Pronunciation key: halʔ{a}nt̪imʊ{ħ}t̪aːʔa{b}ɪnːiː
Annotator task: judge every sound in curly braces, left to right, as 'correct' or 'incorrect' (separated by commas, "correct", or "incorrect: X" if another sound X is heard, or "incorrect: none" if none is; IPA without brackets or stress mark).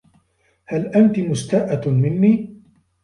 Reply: correct, incorrect: s, incorrect: m